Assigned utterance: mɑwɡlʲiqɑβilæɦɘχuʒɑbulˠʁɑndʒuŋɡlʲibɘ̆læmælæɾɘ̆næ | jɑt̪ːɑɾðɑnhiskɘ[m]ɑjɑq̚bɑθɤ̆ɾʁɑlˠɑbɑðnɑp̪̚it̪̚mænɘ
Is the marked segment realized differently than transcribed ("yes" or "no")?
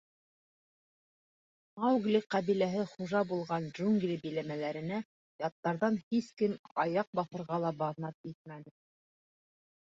no